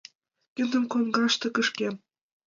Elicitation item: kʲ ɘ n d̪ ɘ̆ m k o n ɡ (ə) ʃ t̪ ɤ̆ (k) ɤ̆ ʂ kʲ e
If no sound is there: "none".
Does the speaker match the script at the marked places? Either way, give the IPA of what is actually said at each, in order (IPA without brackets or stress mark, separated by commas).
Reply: ɑ, k